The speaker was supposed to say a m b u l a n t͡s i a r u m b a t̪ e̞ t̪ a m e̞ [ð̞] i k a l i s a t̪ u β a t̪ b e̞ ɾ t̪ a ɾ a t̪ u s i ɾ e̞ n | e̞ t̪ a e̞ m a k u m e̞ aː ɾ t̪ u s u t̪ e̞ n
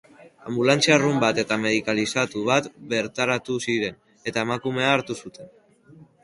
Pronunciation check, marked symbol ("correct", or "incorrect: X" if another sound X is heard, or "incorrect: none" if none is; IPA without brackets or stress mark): correct